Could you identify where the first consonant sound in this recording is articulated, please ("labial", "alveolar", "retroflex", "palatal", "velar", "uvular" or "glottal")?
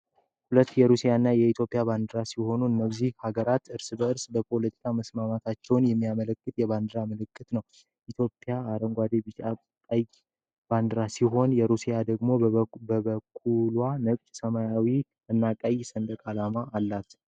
glottal